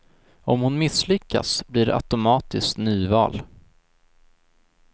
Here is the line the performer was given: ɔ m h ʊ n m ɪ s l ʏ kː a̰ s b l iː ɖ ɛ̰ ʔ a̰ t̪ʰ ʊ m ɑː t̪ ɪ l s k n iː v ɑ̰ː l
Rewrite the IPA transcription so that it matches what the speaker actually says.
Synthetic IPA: ɔ m h ʊ n m ɪ s l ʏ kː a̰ s b l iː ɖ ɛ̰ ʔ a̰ t̪ ʊ m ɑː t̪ ɪ s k n yː v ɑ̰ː l